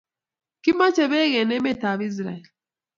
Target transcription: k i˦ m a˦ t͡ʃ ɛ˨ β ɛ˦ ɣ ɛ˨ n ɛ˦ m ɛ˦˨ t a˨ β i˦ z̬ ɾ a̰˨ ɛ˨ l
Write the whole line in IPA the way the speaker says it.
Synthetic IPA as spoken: k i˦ m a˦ t͡ʃ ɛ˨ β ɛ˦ ɣ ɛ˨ n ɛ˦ m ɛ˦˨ t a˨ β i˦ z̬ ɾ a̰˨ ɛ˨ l